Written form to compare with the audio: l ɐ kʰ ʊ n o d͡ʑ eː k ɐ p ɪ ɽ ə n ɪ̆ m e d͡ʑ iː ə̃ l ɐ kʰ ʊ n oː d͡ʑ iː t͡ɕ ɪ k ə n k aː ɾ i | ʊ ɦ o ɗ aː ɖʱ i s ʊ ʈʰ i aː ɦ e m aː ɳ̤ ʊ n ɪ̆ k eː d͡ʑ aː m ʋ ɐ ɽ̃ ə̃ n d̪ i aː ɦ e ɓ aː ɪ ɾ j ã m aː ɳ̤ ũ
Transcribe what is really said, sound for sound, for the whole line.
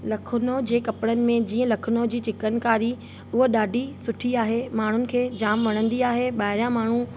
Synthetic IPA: l ɐ kʰ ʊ n o d͡ʑ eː k ɐ p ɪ ɽ ə n ɪ̆ m ẽ d͡ʑ iː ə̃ l ɐ kʰ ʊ n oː d͡ʑ iː t͡ɕ ɪ k ə n k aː ɾ i | ʊ ɦ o ɗ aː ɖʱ i s ʊ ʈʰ i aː ɦ e m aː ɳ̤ ʊ n ɪ̆ kʰ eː d͡ʑ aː m ʋ ɐ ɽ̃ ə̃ n d̪ i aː ɦ e ɓ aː ɪ ɾ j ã m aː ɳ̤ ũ